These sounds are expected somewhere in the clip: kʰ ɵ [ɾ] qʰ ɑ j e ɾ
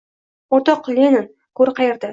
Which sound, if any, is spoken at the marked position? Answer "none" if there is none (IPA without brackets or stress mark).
ɾ